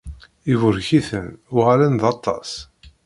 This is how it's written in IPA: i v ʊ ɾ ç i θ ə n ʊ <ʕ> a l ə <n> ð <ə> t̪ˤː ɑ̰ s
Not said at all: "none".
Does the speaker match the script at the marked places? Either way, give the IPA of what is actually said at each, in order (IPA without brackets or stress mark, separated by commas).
ʁ, n, ɑ